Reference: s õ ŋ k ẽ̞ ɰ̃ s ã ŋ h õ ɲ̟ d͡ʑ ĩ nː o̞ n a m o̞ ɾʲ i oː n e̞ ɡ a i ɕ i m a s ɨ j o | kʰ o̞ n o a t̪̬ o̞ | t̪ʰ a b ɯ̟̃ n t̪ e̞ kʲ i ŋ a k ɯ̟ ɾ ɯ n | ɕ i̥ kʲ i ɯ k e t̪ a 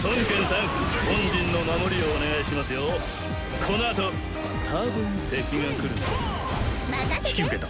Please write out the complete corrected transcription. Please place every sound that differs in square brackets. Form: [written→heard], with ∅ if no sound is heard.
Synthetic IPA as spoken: s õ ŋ k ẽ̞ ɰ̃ s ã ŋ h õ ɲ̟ d͡ʑ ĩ nː o̞ [n→m] a m o̞ ɾʲ i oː n e̞ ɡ a i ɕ i m a s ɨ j o | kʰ o̞ n o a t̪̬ o̞ | t̪ʰ a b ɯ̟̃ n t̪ e̞ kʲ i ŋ a k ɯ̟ ɾ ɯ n | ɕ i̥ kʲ i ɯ k e t̪ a